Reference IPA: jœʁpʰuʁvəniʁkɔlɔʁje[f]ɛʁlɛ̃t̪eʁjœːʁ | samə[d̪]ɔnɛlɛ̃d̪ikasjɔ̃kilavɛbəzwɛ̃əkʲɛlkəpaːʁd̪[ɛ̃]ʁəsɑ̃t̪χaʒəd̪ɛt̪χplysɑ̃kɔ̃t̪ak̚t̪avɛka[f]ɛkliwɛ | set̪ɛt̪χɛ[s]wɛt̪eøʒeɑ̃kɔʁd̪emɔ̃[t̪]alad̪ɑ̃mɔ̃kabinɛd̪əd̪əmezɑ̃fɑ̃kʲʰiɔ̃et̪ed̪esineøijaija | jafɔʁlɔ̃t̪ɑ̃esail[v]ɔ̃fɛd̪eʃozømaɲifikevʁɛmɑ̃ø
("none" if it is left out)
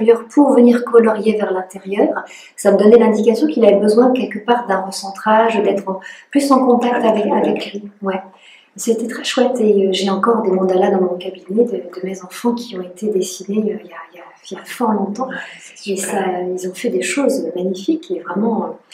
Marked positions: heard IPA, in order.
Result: v, d̪, ɛ̃, v, ʃ, d̪, z

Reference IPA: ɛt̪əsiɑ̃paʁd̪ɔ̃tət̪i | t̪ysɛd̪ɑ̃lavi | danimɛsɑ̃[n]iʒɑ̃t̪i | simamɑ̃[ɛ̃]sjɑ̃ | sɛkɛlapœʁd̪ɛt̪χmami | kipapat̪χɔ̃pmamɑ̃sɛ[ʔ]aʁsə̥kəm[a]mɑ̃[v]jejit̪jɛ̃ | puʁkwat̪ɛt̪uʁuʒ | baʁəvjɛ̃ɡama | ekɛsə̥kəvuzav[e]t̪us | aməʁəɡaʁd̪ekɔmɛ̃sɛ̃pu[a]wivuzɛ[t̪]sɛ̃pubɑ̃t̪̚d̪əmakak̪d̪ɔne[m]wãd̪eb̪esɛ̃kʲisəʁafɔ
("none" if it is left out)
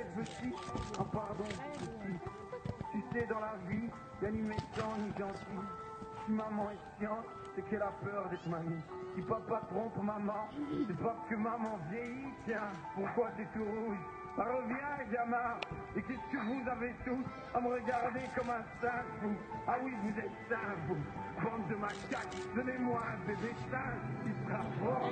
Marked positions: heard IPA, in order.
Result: n, ɛ, p, a, v, e, a, t̪, m

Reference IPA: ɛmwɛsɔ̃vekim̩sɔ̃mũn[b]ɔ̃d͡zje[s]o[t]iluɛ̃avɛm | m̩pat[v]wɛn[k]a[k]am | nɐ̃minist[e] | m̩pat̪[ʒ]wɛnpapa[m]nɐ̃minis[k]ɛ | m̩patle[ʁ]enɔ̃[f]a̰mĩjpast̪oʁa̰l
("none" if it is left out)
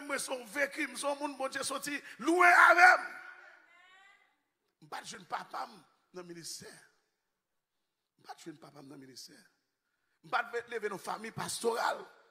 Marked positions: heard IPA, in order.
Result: b, s, t, ʒ, p, p, ɛ, ʒ, m, t, v, f

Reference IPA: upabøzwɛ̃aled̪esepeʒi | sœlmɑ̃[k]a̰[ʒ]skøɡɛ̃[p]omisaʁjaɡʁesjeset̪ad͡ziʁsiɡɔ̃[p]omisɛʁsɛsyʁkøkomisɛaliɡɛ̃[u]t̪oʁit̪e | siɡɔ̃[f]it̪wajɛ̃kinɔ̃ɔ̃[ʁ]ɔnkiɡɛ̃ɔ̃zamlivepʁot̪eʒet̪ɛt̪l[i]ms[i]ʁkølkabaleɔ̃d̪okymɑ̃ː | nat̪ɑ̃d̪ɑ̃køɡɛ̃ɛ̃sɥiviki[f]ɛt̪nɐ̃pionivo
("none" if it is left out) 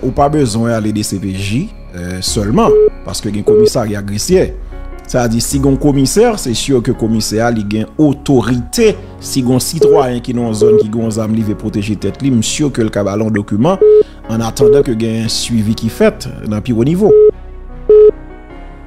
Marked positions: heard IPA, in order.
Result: p, ʁ, k, k, o, s, z, i, y, f

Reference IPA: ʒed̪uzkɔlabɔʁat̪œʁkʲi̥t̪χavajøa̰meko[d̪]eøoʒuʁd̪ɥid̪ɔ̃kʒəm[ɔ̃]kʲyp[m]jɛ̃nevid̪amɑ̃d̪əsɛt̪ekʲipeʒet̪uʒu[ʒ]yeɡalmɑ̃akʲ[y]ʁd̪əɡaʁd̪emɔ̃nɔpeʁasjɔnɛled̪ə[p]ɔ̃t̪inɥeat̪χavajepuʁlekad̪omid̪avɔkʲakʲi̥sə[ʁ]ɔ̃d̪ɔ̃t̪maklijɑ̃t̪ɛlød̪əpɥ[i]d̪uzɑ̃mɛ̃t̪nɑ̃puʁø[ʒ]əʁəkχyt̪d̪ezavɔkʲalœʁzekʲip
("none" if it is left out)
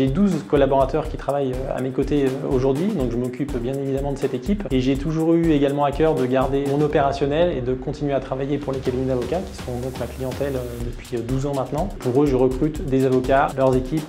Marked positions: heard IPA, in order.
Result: t̪, ɔ, b, ʁ, œ, k, ʁ, i, ʒ

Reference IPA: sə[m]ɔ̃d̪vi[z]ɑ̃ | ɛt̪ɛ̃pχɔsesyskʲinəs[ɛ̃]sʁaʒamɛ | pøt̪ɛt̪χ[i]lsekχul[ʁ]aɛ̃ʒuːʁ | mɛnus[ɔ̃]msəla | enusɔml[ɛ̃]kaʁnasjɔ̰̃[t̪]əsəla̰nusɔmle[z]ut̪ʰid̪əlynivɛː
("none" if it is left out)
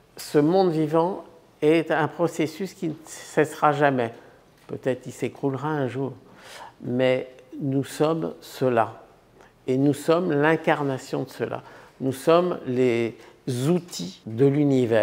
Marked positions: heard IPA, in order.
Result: m, v, ɛ, i, ʁ, ɔ, ɛ̃, d̪, z

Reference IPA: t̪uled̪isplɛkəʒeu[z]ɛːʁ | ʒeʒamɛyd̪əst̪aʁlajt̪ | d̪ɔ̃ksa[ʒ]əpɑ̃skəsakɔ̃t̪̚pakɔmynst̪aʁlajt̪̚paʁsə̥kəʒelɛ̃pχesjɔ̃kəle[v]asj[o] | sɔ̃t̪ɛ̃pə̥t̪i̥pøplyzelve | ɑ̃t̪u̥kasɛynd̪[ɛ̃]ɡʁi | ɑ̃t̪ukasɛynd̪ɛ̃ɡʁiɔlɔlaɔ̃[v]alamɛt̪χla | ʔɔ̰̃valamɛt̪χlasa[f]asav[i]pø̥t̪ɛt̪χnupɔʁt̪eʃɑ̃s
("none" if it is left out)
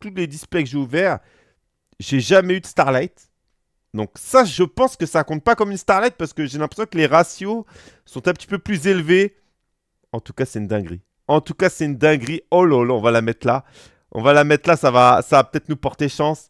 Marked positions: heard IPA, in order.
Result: v, ʒ, ʁ, o, ɛ̃, v, v, a

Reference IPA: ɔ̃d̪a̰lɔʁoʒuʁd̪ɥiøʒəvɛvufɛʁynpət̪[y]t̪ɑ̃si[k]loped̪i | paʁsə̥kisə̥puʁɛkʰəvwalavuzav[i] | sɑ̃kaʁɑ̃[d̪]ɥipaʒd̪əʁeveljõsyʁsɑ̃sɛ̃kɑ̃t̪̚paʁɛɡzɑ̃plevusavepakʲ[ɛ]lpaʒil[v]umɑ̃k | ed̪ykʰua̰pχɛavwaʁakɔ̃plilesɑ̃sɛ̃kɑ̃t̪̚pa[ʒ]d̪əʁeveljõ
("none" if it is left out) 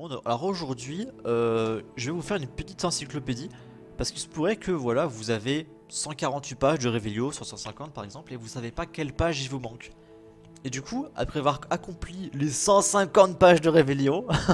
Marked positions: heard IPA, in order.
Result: i, k, e, t̪, ɛ, v, ʒ

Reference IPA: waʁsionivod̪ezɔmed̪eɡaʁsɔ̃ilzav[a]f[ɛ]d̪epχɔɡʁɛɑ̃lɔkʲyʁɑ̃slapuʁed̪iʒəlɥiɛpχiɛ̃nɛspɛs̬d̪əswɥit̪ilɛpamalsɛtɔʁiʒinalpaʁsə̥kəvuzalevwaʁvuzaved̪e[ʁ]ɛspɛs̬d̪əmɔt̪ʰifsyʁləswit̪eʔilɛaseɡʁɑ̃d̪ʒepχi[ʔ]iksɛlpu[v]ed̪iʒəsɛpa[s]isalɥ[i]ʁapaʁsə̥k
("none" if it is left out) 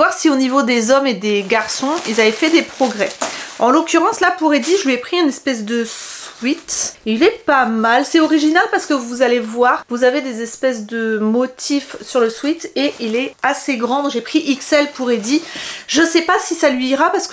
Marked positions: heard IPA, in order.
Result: ɛ, ɛ, z, ʔ, ʁ, s, iː

